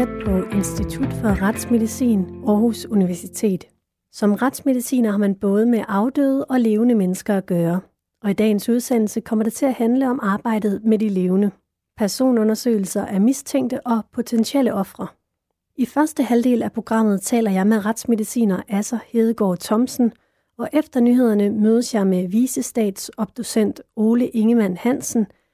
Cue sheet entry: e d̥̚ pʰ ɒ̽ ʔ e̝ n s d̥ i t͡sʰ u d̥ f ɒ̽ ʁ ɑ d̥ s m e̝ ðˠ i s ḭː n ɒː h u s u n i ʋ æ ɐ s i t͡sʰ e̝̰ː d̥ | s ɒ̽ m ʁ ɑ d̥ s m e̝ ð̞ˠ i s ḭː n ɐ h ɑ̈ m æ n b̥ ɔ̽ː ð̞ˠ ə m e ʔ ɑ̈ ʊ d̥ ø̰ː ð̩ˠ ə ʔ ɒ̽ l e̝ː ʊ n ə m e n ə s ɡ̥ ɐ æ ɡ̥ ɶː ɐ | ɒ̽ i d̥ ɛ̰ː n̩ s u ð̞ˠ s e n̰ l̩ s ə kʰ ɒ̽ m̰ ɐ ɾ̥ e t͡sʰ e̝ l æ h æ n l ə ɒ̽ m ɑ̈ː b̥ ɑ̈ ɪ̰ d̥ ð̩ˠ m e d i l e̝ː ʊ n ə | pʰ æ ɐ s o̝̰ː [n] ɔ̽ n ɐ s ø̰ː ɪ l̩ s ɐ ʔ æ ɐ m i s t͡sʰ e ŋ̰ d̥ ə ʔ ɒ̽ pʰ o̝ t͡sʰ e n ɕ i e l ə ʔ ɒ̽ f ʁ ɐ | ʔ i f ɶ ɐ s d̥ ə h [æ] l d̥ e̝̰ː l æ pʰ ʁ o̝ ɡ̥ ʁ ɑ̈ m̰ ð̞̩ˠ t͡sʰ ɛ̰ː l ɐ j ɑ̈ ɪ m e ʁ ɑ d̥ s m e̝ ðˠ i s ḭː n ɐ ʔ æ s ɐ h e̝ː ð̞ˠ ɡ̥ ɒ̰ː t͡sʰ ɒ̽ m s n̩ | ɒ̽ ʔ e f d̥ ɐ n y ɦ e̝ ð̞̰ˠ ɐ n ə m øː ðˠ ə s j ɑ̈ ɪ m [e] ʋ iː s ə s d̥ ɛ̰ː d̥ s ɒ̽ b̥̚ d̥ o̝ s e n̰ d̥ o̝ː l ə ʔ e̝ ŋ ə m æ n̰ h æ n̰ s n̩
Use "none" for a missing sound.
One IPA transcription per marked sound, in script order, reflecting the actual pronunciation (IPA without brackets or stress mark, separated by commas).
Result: n, æ, e